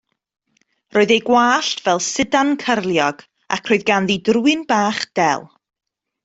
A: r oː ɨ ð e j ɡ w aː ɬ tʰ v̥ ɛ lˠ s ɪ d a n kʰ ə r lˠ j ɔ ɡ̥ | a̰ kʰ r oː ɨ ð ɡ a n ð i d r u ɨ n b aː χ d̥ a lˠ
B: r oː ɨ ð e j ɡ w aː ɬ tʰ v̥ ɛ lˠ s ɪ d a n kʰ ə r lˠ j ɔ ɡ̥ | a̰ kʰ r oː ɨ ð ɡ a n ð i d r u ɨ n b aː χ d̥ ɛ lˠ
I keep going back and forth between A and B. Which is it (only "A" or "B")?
B